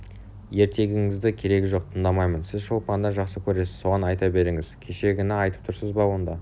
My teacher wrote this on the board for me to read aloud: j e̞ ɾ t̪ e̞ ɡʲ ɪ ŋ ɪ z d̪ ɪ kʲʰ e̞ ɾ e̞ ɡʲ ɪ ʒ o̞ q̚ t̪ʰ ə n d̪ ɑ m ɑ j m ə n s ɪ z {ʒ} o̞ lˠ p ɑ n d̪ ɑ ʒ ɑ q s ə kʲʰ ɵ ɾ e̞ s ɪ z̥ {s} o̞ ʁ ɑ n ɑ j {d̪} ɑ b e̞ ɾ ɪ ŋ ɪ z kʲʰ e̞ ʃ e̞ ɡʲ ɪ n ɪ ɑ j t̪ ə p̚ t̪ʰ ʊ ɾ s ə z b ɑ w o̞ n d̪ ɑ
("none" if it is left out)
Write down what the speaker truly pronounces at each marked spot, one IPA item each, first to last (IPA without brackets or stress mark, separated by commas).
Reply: ʃ, s, t̪